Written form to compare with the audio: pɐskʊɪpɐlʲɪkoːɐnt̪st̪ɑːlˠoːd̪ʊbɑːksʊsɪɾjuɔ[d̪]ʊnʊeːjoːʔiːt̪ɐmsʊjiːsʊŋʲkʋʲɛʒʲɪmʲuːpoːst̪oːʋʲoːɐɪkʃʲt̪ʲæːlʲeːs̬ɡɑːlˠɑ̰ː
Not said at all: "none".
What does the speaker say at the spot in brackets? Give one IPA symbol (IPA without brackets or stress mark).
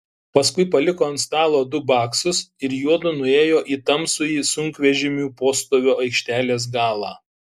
d̪